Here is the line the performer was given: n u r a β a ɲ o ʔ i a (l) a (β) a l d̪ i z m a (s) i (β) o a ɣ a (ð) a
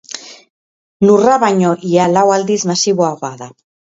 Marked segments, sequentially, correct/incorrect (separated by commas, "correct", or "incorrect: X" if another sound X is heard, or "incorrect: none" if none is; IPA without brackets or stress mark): correct, incorrect: w, correct, correct, correct